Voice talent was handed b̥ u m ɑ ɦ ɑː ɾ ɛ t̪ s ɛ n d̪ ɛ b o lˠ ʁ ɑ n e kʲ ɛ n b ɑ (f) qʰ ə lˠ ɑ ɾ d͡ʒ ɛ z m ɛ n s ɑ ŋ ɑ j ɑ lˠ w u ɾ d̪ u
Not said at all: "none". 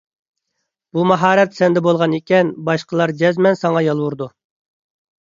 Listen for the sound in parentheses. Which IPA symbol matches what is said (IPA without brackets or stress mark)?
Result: ʃ